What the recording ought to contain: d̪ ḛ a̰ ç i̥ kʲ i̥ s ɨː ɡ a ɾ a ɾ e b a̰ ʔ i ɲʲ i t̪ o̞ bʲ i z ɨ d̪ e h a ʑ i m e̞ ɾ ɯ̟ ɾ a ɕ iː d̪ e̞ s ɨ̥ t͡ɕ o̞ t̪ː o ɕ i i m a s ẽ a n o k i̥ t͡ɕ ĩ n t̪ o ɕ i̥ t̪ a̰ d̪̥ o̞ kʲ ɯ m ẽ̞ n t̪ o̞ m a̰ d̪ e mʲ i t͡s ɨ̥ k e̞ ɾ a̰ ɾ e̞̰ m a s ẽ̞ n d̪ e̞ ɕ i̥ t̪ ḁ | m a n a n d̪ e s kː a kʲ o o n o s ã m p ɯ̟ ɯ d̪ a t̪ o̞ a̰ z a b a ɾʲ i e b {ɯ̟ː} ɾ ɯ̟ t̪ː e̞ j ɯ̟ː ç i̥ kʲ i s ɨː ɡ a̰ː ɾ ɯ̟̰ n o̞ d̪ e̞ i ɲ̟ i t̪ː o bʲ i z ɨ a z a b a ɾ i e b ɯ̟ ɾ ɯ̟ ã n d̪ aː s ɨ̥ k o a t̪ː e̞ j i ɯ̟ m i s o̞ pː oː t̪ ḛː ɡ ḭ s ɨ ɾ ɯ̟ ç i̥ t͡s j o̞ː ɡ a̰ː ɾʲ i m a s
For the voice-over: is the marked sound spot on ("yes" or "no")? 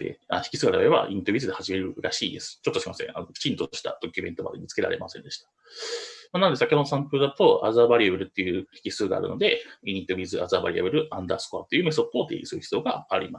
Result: no